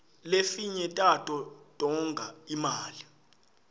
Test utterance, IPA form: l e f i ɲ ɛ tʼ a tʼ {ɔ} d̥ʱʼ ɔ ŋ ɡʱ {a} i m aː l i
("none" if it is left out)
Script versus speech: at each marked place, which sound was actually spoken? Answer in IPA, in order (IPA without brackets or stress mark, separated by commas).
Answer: ɔ, a